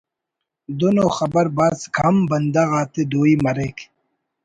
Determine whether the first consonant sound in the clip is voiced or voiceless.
voiced